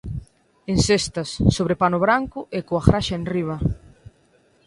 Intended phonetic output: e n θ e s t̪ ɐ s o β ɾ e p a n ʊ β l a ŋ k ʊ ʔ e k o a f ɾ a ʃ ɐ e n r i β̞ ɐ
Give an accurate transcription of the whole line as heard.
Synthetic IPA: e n s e s t̪ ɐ sː o β ɾ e p a n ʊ β ɾ a ŋ k ʊ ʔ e k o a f ɾ a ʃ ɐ e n r i β̞ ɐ

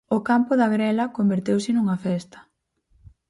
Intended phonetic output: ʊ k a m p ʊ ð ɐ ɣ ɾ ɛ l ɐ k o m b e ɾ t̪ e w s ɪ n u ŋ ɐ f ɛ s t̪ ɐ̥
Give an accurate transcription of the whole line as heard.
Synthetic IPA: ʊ k a m p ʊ ð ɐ ɣ ɾ ɛ l ɐ k o m b e ɾ t̪ e w s ɪ n u ŋ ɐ f ɛ s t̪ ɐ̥

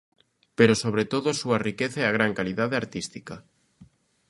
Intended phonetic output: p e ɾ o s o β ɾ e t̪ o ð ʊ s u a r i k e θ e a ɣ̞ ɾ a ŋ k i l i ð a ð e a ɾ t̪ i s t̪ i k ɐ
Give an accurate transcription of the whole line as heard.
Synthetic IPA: p e ɾ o s o β ɾ e t̪ o ð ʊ s u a r i k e θ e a ɣ̞ ɾ a ŋ k a l i ð a ð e a ɾ t̪ i s t̪ i k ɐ

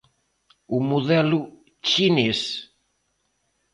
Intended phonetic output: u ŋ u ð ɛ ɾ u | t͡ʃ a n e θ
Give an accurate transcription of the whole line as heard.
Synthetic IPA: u m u ð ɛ l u | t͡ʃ i n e s

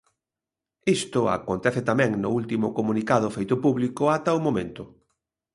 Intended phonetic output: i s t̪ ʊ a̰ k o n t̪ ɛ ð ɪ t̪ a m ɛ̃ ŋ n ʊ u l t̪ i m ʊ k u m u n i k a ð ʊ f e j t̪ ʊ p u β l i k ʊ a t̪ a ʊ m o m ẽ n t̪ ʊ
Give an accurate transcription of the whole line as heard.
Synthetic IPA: i s t̪ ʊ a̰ k o n t̪ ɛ θ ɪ t̪ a m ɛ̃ ŋ n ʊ u l t̪ i m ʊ k o m u n i k a ð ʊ f e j t̪ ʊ p u β l i k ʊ a t̪ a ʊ m o m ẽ n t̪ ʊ

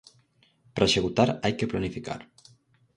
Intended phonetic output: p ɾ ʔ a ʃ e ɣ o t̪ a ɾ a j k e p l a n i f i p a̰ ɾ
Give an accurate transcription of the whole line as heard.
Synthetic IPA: p ɾ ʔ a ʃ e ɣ u t̪ a ɾ a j k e p l a n i f i k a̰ ɾ

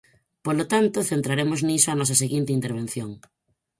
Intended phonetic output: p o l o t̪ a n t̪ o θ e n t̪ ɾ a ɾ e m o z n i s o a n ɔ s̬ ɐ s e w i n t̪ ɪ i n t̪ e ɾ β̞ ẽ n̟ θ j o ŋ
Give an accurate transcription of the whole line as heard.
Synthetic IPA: p o l o t̪ a n t̪ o θ e n t̪ ɾ a ɾ e m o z n i s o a n ɔ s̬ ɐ s e ɣ i n t̪ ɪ i n t̪ e ɾ β̞ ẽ n̟ θ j o ŋ

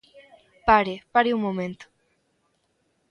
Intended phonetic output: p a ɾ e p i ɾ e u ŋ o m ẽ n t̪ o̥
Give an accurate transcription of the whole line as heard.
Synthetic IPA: p a ɾ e p a ɾ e u m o m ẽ n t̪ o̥

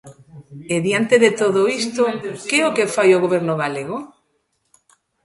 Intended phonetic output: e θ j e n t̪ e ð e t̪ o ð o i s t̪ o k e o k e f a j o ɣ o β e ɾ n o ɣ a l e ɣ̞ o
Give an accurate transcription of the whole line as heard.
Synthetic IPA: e ð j a n t̪ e ð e t̪ o ð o i s t̪ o k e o k e f a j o ɣ o β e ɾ n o ɣ a l e ɣ̞ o

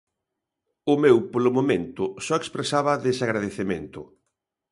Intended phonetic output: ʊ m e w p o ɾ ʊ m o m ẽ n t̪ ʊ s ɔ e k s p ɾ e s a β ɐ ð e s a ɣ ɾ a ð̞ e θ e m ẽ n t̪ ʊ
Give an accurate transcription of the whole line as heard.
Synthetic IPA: ʊ m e w p o l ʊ m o m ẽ n t̪ ʊ s ɔ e k s p ɾ e s a β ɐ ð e s a ɣ ɾ a ð̞ e θ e m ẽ n t̪ ʊ

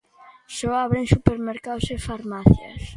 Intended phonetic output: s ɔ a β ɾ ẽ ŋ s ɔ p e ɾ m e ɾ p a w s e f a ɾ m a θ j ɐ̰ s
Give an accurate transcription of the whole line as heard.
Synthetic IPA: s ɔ a β ɾ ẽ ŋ s u p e ɾ m e ɾ k a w s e f a ɾ m a θ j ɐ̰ s

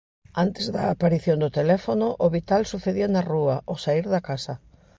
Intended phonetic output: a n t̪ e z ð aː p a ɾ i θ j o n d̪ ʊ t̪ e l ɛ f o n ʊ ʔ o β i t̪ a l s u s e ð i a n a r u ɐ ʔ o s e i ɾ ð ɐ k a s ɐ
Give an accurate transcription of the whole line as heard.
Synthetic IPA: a n t̪ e z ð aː p a ɾ i θ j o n d̪ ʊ t̪ e l ɛ f o n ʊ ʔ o β i t̪ a l s u θ e ð i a n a r u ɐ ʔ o s a i ɾ ð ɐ k a s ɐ

